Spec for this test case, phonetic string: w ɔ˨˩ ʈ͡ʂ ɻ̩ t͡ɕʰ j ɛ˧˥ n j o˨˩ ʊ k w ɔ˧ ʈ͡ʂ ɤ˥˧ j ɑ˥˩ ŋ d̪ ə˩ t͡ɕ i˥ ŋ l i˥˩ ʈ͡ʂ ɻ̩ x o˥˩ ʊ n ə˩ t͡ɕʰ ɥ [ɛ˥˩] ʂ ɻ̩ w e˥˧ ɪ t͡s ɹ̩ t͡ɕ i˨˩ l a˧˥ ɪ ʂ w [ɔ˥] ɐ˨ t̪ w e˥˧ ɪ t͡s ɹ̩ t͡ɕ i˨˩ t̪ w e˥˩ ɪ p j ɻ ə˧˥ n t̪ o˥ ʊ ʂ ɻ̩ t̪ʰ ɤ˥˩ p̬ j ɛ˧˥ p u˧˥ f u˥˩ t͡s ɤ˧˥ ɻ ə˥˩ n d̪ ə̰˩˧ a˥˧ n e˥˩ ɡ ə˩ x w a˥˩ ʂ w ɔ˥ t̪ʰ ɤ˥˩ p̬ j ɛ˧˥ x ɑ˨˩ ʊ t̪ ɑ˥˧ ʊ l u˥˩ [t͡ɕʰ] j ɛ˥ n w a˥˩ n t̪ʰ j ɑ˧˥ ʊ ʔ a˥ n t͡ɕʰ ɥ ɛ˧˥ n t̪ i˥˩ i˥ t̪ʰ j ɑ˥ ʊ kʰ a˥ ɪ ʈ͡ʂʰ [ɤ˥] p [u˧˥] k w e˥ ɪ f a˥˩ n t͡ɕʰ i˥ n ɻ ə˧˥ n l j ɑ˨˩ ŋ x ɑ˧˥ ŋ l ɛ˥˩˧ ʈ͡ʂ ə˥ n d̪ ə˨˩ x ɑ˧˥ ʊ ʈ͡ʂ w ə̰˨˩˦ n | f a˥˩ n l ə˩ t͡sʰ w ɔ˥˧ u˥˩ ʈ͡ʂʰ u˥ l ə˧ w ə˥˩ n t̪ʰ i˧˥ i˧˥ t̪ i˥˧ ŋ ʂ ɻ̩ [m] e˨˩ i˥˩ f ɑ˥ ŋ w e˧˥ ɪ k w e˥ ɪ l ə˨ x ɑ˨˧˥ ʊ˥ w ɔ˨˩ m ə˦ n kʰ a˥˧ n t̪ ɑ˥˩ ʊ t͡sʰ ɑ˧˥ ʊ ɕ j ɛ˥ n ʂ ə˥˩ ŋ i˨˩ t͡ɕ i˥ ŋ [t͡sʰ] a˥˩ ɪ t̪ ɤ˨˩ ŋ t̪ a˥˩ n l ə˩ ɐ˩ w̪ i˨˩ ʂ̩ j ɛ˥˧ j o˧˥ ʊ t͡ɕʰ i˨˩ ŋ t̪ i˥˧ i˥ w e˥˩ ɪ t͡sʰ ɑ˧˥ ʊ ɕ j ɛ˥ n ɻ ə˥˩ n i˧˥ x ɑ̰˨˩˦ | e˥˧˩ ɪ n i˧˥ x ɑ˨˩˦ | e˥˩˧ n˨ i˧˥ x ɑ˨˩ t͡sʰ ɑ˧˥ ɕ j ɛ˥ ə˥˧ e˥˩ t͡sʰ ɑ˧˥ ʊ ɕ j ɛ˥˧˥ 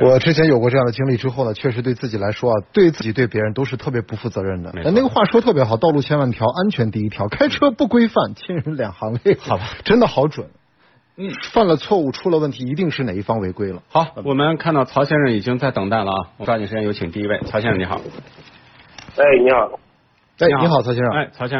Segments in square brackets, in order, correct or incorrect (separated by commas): correct, correct, correct, correct, incorrect, incorrect, incorrect